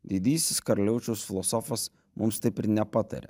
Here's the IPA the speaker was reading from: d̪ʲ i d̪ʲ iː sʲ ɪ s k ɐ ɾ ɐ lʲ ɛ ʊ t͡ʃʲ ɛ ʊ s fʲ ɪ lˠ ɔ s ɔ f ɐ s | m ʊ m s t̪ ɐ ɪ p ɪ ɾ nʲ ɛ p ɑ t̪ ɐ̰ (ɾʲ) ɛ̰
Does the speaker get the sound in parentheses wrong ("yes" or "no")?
no